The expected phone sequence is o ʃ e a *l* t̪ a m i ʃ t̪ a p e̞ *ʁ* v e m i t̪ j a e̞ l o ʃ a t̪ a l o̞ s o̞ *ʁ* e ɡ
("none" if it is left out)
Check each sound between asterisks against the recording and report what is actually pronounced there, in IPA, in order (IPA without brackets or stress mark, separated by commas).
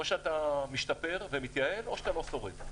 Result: none, ʁ, ʁ